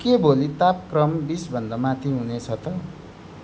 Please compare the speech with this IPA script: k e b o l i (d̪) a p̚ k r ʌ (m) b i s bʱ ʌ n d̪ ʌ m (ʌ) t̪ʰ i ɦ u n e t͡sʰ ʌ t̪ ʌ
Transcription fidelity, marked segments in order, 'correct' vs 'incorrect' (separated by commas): incorrect, correct, incorrect